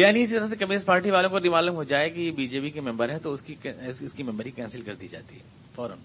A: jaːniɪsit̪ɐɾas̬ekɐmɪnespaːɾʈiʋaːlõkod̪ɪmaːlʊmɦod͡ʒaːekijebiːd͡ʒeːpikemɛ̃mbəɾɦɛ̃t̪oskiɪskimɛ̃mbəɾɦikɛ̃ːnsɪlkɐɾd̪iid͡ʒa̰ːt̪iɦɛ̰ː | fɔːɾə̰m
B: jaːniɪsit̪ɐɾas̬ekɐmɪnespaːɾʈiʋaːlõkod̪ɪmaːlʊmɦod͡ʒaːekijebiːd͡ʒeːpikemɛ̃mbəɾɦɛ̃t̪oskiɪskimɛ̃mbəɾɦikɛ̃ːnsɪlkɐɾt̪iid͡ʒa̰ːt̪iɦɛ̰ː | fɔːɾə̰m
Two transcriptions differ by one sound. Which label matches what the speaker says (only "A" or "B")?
A